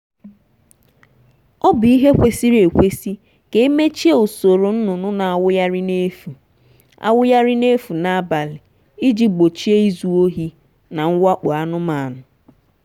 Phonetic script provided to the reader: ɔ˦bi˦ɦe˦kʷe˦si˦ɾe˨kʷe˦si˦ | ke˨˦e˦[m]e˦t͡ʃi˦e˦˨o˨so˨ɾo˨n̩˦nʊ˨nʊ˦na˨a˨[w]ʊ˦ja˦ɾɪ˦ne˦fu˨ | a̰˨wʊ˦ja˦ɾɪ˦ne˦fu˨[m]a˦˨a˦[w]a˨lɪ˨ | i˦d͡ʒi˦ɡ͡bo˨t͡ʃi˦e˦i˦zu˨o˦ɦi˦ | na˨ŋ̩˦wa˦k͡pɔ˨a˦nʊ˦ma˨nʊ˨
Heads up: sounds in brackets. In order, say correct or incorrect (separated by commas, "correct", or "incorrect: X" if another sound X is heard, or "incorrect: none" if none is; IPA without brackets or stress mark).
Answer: correct, correct, incorrect: n, incorrect: b